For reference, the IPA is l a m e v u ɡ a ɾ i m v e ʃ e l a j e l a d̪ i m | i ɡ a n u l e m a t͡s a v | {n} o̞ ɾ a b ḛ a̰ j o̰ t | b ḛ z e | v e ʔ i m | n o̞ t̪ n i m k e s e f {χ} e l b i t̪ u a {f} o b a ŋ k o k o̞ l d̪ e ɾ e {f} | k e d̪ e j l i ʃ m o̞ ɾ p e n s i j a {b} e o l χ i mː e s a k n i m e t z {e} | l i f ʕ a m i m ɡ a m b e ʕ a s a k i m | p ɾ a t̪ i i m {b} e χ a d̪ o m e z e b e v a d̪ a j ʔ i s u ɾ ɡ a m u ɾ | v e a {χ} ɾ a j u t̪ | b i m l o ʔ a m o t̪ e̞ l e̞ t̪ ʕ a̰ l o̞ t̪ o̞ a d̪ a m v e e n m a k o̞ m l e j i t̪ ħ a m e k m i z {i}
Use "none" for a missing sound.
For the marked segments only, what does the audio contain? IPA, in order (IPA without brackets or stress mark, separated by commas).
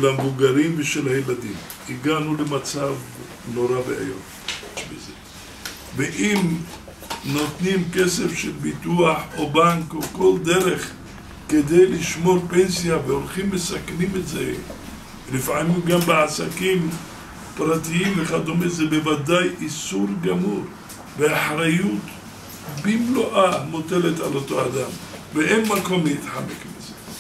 n, ʃ, ħ, χ, v, e, v, ħ, e